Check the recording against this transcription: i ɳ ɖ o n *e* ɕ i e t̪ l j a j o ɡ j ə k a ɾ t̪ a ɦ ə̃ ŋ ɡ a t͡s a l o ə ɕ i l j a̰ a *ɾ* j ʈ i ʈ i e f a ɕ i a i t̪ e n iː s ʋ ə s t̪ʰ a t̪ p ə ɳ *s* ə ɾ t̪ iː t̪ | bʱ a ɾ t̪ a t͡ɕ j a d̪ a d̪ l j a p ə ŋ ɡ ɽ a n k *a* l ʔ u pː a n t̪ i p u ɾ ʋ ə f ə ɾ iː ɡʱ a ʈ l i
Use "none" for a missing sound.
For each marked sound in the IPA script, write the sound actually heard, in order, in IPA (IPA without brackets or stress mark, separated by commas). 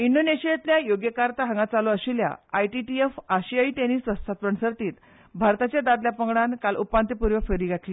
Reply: e, none, s, a